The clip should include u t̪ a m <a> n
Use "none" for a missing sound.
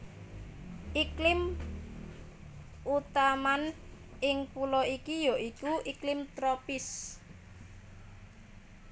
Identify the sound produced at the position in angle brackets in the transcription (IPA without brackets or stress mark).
a